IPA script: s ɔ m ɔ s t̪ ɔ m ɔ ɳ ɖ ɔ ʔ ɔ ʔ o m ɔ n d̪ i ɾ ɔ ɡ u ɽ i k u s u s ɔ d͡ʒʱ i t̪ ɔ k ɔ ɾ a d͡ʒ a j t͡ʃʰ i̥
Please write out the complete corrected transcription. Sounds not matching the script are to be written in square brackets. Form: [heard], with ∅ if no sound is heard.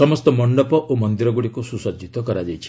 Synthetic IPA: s ɔ m ɔ s t̪ ɔ m ɔ ɳ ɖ ɔ [p] ɔ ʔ o m ɔ n d̪ i ɾ ɔ ɡ u ɽ i k u s u s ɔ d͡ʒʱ i t̪ ɔ k ɔ ɾ a d͡ʒ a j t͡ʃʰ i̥

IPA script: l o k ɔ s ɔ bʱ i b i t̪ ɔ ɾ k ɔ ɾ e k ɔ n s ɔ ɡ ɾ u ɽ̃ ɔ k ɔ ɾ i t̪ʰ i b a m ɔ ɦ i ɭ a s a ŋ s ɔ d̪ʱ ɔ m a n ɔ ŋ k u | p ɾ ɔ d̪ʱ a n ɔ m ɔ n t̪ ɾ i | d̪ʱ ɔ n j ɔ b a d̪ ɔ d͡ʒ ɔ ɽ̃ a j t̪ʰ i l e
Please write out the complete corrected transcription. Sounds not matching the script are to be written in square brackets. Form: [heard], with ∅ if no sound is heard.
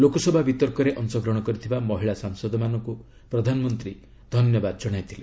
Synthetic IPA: l o k ɔ s ɔ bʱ [a] b i t̪ ɔ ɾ k ɔ ɾ e [ʔ] ɔ n s ɔ ɡ ɾ [ɔ] ɽ̃ ɔ k ɔ ɾ i t̪ʰ i b a m ɔ ɦ i ɭ a s a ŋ s ɔ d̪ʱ ɔ m a n ɔ ŋ k u | p ɾ ɔ d̪ʱ a n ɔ m ɔ n t̪ ɾ i | d̪ʱ ɔ n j ɔ b a d̪ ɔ d͡ʒ ɔ ɽ̃ a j t̪ʰ i l e

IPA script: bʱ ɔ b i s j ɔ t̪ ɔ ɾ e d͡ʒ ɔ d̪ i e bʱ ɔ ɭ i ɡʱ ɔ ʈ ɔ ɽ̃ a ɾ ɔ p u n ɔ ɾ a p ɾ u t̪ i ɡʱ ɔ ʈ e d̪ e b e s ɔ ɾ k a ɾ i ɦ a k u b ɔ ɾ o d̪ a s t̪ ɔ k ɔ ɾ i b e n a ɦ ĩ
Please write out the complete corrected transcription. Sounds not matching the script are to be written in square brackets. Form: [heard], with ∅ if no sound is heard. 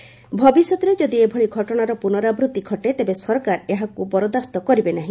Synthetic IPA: bʱ ɔ b i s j ɔ t̪ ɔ ɾ e d͡ʒ ɔ d̪ i e bʱ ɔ ɭ i ɡʱ ɔ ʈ ɔ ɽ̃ a ɾ ɔ p u n ɔ ɾ a [b] ɾ u t̪ i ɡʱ ɔ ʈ e [t̪] e b e s ɔ ɾ k a ɾ [e] ɦ a k u b ɔ ɾ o d̪ a s t̪ ɔ k ɔ ɾ i b e n a ɦ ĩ

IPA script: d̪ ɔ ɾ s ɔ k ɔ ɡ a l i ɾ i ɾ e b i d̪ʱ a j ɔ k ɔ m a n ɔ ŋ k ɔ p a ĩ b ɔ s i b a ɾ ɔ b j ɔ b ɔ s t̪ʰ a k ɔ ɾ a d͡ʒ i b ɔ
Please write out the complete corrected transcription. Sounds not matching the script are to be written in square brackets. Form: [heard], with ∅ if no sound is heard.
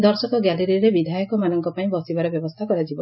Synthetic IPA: d̪ ɔ ɾ s ɔ k ɔ ɡ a l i ɾ i ɾ e b i d̪ʱ a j ɔ k ɔ m a n ɔ ŋ k ɔ p a ĩ b ɔ s i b a ɾ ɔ b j ɔ b ɔ s t̪ʰ a k ɔ ɾ a d͡ʒ i b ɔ

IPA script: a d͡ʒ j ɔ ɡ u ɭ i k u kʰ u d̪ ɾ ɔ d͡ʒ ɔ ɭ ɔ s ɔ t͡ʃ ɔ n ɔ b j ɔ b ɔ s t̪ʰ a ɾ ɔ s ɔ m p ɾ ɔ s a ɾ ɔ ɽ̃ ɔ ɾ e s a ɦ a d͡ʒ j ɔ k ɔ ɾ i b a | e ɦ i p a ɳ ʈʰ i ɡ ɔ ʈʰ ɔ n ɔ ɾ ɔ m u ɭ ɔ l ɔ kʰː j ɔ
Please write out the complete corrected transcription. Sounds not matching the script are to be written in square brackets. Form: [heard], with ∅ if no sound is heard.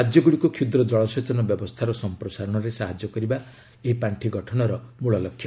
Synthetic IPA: a d͡ʒ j ɔ ɡ u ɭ i k u kʰ u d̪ ɾ ɔ d͡ʒ ɔ ɭ ɔ s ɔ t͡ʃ ɔ n ɔ b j ɔ b ɔ s t̪ʰ a ɾ ɔ s ɔ m p ɾ ɔ s a ɾ ɔ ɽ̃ ɔ ɾ e s a ɦ a d͡ʒ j ɔ k ɔ ɾ i b a | e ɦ i p a ɳ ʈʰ i ɡ ɔ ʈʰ ɔ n ɔ ɾ ɔ m u ɭ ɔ l ɔ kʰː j ɔ

